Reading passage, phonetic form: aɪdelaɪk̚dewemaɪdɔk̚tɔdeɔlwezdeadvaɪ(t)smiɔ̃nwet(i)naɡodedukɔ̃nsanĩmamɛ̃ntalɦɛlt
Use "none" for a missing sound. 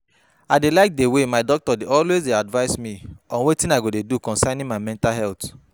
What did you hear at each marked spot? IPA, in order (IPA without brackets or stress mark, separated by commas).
none, ĩ